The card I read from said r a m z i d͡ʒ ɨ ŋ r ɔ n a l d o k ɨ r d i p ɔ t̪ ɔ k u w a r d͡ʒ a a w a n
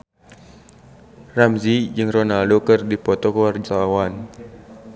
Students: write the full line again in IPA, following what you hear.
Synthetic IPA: r a m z i d͡ʒ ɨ ŋ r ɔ n a l d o k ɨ r d i p ɔ t̪ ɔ k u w a r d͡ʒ a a w a n